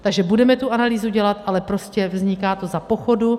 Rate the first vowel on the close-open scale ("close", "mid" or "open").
open